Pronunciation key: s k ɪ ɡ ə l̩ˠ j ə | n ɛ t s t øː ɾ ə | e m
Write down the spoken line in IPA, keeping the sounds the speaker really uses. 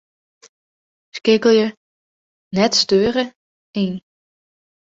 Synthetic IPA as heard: s k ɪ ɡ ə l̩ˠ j ə | n ɛ t s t øː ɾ ə | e n